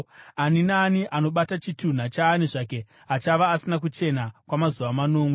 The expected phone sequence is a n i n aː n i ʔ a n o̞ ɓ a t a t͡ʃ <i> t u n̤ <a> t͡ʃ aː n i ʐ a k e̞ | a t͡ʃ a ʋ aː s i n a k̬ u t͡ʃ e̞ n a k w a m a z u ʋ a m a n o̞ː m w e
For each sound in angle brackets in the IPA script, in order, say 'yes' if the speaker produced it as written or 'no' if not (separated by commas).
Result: yes, yes